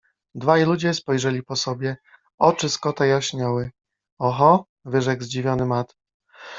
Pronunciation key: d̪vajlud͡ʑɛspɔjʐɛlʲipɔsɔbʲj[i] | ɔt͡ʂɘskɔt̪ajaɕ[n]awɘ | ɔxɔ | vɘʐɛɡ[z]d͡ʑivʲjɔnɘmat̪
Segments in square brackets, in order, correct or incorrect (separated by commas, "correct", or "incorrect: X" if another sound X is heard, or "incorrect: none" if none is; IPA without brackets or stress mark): incorrect: ɛ, incorrect: ɲ, correct